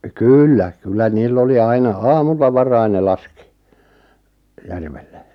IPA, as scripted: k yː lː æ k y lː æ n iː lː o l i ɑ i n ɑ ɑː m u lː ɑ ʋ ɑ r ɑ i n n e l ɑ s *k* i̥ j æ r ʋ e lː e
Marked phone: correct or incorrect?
correct